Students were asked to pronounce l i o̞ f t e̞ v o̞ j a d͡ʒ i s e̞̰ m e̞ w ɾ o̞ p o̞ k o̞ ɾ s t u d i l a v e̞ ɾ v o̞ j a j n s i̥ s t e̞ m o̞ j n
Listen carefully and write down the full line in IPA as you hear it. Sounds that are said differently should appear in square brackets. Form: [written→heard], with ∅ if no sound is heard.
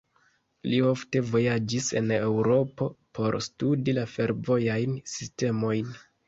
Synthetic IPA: l i o̞ f t e̞ v o̞ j a d͡ʒ i s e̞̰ [m→n] e̞ w ɾ o̞ p o̞ [k→p] o̞ ɾ s t u d i l a [v→f] e̞ ɾ v o̞ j a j n s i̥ s t e̞ m o̞ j n